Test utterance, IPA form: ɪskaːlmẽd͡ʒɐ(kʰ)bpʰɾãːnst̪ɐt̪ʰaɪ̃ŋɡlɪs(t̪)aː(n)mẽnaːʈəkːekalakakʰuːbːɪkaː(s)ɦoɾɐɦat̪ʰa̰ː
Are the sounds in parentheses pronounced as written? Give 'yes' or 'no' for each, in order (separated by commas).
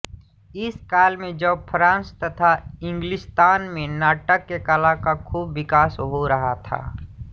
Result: no, yes, yes, yes